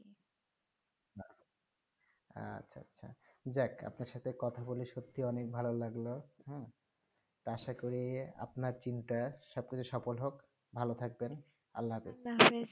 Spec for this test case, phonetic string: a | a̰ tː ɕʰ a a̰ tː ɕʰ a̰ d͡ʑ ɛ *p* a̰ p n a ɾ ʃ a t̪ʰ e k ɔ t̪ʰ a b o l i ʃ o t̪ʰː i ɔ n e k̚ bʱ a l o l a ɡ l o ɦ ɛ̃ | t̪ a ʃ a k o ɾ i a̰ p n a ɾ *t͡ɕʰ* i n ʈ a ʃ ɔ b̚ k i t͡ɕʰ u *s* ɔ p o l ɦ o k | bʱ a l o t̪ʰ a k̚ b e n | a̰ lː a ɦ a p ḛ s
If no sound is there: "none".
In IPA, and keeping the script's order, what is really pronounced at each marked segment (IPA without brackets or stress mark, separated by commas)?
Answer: k, t͡ɕ, ʃ